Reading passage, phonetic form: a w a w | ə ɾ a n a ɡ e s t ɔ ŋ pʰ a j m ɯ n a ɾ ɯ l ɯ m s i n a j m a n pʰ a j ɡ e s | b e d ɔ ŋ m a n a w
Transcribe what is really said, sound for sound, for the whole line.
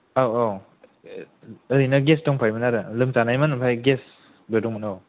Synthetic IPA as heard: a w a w | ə ɾ i n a ɡ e s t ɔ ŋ pʰ a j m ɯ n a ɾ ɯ l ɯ m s a n a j m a n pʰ a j ɡ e s | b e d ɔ ŋ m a n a w